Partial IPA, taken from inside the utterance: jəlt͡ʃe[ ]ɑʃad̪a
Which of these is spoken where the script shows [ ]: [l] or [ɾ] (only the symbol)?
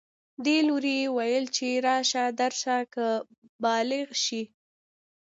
ɾ